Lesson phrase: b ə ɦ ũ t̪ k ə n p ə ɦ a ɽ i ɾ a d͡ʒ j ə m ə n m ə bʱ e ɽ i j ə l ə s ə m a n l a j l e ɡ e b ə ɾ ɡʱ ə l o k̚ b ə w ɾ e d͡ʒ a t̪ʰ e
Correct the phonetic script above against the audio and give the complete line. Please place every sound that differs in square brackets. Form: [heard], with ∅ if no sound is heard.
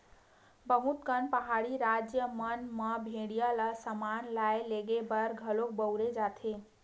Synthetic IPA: b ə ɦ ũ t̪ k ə n p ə ɦ a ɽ i ɾ a d͡ʒ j ə m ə n m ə bʱ e ɽ i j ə l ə s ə m a n l a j l e ɡ e b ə ɾ ɡʱ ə l o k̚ b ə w ɾ e d͡ʒ a t̪ʰ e